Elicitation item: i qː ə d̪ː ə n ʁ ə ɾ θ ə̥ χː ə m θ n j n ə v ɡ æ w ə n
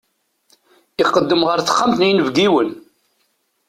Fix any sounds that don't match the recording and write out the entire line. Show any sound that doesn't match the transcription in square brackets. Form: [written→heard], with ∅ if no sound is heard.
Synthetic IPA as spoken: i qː ə d̪ː ə [n→m] ʁ ə ɾ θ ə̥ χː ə m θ n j n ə v ɡ [æ→i] w ə n